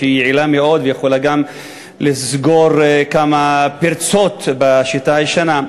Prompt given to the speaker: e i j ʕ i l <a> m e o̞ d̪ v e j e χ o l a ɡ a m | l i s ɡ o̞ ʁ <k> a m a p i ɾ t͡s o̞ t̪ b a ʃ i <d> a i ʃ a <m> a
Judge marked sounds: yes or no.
yes, yes, no, no

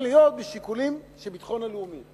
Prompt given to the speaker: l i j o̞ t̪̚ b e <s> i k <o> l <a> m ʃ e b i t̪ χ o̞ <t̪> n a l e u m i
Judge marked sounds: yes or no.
no, no, no, no

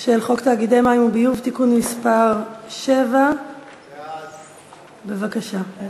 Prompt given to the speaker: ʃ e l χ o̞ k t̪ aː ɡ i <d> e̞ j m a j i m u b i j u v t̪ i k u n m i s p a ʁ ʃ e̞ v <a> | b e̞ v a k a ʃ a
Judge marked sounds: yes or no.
yes, yes

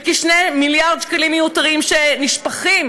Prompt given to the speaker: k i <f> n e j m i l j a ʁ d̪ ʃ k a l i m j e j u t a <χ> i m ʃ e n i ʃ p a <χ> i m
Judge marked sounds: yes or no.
no, no, yes

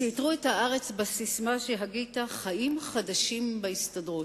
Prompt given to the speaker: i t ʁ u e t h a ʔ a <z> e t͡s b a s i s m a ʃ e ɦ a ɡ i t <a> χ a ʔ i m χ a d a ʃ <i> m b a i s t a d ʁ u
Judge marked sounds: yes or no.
no, yes, yes

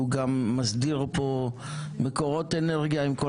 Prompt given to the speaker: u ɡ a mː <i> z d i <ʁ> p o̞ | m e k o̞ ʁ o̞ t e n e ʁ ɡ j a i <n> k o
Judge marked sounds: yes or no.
no, yes, no

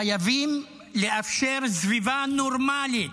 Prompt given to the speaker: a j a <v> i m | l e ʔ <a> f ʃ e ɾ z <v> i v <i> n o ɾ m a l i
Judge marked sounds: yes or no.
yes, yes, yes, no

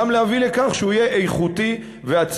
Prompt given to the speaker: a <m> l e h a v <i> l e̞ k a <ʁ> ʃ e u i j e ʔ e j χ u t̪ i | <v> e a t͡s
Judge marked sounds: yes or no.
yes, yes, no, yes

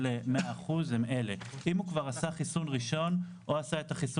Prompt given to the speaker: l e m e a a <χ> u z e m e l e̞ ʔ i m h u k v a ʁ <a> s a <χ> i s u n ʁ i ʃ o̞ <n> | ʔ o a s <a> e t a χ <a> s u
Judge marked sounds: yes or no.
yes, yes, yes, yes, yes, no

